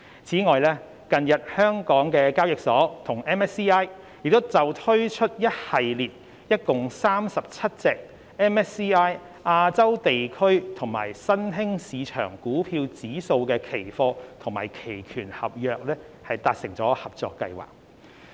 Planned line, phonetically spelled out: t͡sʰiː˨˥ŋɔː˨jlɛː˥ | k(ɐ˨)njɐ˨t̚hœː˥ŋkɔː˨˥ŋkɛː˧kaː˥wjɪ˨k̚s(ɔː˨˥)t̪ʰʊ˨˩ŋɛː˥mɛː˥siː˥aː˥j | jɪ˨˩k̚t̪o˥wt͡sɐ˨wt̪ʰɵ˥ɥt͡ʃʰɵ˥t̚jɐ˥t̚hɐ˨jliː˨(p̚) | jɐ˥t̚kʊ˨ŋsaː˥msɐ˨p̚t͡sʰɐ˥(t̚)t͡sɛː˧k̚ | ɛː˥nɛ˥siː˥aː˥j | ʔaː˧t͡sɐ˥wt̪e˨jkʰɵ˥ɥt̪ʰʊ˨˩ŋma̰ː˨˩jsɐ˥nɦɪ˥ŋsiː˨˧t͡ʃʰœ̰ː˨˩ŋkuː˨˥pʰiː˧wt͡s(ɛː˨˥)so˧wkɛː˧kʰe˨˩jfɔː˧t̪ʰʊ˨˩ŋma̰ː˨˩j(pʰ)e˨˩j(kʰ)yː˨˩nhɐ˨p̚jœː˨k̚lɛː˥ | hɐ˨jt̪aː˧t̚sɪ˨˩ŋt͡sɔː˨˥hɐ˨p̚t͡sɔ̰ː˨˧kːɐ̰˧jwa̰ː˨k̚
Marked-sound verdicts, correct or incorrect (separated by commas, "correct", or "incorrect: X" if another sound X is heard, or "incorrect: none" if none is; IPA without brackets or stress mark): correct, correct, incorrect: t̚, correct, incorrect: iː˨˥, incorrect: kʰ, correct